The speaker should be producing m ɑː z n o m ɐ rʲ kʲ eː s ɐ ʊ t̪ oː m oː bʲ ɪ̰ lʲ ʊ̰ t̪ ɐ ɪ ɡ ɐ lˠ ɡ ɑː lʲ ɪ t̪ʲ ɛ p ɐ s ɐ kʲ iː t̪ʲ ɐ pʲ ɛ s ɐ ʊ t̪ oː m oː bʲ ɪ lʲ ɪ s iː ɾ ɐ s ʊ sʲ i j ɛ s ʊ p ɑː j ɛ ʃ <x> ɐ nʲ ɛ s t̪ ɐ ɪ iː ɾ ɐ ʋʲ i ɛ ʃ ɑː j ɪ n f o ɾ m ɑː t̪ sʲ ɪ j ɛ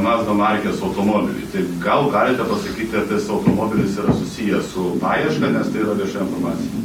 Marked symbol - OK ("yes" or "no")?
no